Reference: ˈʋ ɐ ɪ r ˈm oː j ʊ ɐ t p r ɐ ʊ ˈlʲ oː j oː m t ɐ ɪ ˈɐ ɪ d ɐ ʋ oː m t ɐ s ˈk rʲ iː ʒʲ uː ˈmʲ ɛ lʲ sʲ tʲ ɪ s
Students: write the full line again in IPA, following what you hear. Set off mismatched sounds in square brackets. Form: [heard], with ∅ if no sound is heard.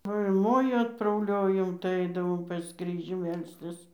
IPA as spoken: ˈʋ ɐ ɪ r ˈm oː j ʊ ɐ t p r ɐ ʊ ˈlʲ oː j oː m t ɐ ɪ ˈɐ ɪ d ɐ ʋ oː m [p] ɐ s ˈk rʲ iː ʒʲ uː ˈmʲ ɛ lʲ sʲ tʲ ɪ s